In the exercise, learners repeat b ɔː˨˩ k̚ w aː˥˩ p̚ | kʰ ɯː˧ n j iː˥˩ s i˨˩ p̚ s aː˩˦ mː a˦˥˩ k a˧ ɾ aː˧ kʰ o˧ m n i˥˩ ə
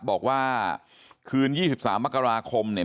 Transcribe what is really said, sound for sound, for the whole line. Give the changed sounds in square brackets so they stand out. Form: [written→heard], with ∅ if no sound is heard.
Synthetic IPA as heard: b ɔː˨˩ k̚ w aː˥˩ [p̚→∅] | kʰ ɯː˧ n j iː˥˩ s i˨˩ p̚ s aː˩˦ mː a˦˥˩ k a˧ ɾ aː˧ kʰ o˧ m n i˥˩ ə